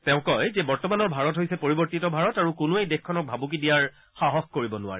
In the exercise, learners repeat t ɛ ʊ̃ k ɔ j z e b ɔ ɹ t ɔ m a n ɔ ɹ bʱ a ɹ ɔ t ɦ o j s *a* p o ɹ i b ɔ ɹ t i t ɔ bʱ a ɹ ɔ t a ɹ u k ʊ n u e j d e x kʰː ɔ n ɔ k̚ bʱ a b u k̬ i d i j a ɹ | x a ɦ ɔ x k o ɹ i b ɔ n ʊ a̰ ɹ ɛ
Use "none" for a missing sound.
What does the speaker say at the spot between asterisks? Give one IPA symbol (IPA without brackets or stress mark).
ɛ